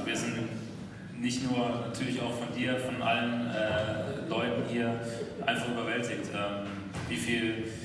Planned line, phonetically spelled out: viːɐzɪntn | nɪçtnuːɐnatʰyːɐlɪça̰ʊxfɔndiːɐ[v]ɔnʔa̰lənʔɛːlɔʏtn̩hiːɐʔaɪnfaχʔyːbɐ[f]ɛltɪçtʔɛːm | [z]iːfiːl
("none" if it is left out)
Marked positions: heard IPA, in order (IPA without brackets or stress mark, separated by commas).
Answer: f, v, v